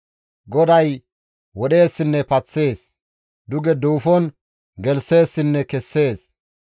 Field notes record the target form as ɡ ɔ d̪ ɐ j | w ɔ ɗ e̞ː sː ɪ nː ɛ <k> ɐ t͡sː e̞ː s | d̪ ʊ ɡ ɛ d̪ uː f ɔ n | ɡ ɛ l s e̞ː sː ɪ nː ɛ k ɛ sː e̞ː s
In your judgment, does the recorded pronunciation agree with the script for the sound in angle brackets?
no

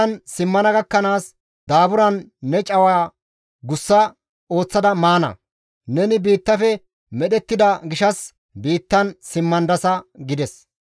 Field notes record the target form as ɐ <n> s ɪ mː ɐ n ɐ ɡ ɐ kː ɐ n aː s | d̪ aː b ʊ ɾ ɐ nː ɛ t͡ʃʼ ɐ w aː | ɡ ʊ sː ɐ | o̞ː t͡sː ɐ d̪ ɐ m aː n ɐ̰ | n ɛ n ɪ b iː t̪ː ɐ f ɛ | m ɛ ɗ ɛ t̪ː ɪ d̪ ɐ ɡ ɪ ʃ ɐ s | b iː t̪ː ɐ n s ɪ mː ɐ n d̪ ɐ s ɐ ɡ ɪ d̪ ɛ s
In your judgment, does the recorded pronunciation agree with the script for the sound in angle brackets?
yes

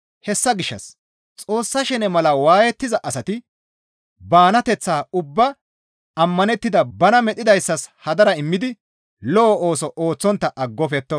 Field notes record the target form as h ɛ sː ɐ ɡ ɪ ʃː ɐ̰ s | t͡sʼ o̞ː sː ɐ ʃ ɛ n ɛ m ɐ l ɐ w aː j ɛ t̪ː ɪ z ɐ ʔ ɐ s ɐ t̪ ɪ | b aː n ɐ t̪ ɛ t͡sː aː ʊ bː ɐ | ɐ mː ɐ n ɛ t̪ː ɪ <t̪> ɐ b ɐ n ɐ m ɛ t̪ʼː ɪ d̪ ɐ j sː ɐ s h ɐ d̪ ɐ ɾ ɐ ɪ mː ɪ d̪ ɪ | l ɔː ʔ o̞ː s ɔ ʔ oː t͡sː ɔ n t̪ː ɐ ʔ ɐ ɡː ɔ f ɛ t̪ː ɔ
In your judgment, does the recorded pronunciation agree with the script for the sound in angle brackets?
no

